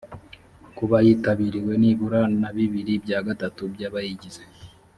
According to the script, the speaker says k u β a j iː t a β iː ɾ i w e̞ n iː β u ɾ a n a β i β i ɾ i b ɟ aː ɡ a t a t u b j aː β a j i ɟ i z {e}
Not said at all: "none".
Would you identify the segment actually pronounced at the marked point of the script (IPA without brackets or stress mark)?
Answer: e